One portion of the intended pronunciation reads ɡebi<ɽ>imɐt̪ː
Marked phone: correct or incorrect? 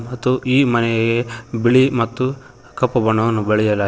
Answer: incorrect: ɭ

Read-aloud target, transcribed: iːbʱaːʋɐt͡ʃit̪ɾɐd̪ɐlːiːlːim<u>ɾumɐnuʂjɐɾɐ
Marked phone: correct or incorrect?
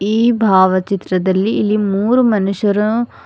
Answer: incorrect: uː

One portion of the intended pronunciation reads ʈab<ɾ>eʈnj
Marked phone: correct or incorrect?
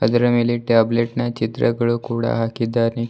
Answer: incorrect: l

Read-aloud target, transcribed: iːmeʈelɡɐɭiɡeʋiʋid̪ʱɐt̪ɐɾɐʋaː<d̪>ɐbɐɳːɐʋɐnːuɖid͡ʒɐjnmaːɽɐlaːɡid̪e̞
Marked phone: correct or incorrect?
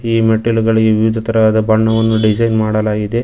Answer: correct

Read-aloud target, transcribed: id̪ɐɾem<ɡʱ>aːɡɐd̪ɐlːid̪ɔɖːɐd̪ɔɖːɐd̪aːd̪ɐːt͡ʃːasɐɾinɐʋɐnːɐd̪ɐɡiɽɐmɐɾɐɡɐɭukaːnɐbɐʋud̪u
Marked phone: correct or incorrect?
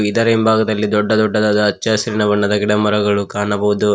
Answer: incorrect: bʱ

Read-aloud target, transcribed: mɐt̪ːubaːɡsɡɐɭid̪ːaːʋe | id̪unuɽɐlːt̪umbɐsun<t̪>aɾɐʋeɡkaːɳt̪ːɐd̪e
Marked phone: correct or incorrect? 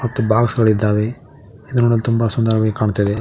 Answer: incorrect: d̪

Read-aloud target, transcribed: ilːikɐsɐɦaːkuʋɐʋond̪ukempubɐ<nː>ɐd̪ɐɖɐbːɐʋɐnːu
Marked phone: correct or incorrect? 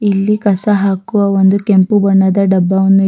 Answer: incorrect: ɳː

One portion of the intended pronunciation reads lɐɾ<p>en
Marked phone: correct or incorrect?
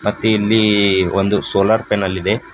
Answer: correct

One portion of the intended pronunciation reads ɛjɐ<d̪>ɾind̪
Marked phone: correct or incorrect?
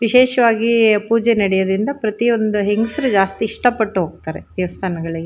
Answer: correct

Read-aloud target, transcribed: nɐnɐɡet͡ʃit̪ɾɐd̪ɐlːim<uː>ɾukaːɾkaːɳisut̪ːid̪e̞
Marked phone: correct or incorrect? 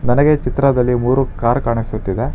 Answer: correct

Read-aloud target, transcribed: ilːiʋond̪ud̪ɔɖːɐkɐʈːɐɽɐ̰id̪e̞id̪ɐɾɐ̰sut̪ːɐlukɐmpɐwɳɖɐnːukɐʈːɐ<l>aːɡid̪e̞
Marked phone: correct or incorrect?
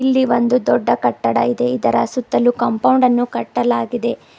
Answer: correct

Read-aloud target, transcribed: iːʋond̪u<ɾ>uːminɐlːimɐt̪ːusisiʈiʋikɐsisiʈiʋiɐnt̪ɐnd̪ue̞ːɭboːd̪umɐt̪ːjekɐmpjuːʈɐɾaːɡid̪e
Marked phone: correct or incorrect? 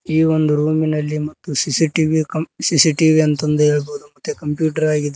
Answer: correct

